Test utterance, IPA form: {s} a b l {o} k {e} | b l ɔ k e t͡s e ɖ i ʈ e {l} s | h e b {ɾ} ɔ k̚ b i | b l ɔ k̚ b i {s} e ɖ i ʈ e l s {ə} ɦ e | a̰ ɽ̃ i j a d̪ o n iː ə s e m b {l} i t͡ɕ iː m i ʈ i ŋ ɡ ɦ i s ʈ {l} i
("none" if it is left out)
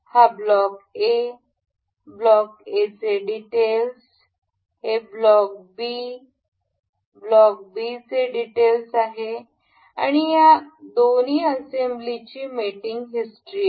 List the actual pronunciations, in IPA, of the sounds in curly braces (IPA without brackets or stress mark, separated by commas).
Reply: h, ɔ, e, l, l, t͡s, a, l, ɾ